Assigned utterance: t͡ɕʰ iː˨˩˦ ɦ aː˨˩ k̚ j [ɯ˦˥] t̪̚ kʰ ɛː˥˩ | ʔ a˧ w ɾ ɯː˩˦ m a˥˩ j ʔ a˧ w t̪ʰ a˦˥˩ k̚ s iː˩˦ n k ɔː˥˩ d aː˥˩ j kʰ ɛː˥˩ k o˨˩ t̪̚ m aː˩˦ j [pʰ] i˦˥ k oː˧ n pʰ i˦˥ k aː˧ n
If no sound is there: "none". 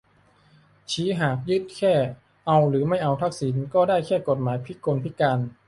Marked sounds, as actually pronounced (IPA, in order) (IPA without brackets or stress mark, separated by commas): ɯ˦˥, pʰ